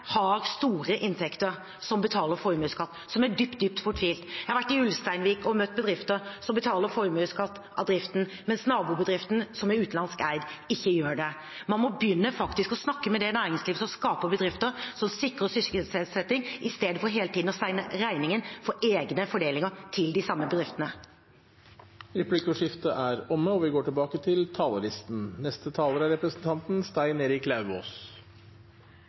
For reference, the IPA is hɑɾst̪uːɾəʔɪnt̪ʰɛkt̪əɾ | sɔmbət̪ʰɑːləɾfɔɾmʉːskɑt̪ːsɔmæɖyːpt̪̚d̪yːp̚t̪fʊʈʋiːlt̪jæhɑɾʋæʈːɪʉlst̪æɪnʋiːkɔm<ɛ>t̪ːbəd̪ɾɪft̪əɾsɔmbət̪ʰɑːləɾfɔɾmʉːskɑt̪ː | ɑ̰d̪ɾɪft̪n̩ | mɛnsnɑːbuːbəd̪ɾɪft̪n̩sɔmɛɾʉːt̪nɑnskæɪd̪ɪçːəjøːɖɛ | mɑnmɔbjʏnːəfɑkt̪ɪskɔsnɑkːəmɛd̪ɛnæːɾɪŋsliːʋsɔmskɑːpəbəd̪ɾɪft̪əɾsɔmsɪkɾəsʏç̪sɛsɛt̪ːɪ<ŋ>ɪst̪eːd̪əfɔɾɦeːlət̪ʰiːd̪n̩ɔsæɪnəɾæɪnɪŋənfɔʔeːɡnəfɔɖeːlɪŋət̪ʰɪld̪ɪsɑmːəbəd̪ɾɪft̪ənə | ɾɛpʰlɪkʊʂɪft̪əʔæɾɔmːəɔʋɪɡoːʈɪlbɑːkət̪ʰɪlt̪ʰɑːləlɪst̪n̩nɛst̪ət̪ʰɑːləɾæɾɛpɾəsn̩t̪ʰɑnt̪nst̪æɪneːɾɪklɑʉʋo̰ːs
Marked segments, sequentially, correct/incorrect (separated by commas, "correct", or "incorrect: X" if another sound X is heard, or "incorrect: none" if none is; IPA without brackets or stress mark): incorrect: œ, correct